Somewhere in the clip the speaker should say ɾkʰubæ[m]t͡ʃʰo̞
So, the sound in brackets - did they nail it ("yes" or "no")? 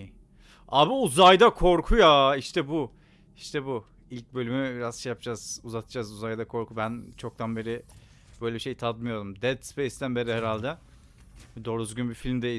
no